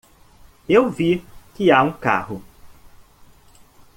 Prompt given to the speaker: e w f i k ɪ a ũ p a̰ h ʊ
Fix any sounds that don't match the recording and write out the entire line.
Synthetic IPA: e w v i k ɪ a ũ k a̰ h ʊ